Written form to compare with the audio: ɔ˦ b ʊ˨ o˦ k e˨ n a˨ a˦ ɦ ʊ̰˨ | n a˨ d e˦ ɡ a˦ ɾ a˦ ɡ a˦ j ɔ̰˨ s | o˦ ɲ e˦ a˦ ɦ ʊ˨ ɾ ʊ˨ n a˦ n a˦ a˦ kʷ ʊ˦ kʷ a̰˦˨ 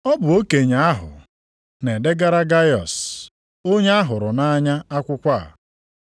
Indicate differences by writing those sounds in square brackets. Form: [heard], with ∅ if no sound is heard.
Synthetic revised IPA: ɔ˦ b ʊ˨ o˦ k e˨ [ɲ] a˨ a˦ ɦ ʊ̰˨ | n [e˨] d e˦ ɡ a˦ ɾ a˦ ɡ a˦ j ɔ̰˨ s | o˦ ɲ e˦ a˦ ɦ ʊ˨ ɾ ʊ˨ n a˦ [ɲ] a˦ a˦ kʷ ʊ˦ kʷ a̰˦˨